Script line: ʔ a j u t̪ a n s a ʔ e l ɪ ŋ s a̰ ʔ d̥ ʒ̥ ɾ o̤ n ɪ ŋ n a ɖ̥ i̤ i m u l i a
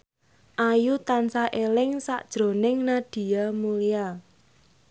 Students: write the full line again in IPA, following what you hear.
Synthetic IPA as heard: ʔ a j u t̪ a n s a ʔ e l ɪ ŋ s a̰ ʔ d̥ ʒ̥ ɾ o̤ n ɪ ŋ n a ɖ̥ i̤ a m u l i a